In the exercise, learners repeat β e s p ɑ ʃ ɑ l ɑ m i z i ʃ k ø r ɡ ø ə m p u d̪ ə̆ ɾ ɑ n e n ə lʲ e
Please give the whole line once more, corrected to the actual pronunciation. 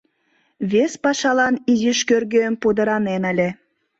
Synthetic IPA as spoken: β e s p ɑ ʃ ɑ l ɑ n i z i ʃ k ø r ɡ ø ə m p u d̪ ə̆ ɾ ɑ n e n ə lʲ e